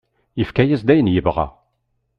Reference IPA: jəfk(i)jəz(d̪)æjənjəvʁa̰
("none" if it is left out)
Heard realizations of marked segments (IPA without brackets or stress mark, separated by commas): æ, d̪